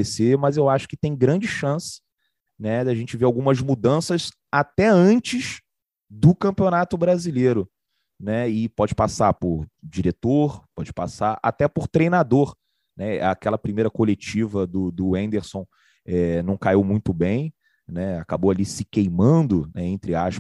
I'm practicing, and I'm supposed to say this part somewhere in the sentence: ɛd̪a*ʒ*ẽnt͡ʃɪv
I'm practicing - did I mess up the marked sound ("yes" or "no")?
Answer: no